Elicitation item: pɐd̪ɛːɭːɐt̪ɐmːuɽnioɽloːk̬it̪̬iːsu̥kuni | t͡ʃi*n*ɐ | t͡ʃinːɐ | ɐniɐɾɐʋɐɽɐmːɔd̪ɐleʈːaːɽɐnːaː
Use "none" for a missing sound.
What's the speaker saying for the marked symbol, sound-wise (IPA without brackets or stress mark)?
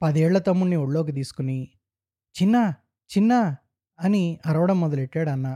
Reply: nː